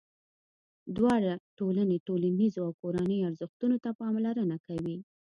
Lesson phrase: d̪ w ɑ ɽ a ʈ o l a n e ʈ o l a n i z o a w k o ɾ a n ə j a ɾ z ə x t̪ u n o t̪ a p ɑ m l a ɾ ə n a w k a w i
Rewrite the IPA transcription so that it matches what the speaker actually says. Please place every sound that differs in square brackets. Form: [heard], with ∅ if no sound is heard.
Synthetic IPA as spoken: d̪ w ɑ ɽ a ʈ o l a n e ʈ o l a n i z o a w k o ɾ a n ə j a ɾ z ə x t̪ u n o t̪ a p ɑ m l a ɾ ə n a [∅] k a w i